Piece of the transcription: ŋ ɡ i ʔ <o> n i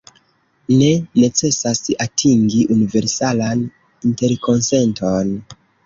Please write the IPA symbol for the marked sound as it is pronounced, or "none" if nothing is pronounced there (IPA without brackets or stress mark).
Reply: u